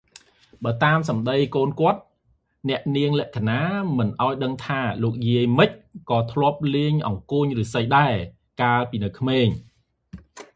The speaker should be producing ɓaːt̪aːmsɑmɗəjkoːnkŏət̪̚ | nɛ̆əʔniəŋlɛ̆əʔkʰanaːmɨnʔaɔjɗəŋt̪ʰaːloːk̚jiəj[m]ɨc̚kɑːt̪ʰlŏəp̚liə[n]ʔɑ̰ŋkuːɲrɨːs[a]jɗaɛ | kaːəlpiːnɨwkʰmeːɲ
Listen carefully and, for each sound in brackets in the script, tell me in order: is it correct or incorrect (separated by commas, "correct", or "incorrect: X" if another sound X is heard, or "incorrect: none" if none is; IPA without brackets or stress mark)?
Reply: correct, incorrect: ɲ, incorrect: ə